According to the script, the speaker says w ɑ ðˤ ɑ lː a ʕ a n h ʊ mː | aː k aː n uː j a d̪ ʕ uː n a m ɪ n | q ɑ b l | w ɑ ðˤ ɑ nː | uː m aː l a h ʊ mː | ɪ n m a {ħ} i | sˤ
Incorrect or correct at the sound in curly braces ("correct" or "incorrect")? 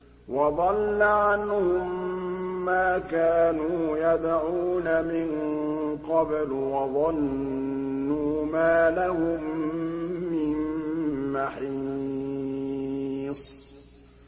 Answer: correct